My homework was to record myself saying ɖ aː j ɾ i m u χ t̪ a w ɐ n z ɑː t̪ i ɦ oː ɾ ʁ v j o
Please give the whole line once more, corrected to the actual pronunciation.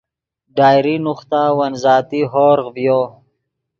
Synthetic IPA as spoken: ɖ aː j ɾ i n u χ t̪ a w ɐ n z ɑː t̪ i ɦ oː ɾ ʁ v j o